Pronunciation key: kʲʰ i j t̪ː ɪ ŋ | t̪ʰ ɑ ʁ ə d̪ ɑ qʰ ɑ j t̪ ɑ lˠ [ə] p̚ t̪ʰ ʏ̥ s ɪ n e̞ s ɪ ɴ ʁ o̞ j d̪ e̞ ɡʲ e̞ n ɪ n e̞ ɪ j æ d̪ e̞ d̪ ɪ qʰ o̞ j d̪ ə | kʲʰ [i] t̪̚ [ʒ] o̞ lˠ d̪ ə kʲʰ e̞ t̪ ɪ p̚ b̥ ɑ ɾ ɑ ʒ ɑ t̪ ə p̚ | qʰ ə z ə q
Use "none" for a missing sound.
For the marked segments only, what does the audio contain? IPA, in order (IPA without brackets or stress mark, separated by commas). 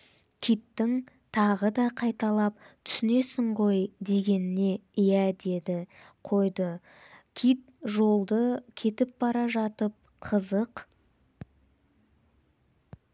ɑ, i, ʒ